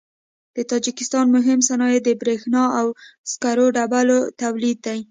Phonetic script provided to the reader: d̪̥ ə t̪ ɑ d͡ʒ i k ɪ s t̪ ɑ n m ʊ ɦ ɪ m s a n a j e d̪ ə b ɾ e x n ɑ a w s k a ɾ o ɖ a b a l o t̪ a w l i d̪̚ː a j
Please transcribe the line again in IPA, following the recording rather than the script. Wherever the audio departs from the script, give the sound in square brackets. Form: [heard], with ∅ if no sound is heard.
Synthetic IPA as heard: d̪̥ ə t̪ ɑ d͡ʒ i k ɪ s t̪ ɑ n m ʊ ɦ ɪ m s a n [ɑ] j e d̪ ə b ɾ e x n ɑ a w s k a ɾ o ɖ a b a l o t̪ a w l i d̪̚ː a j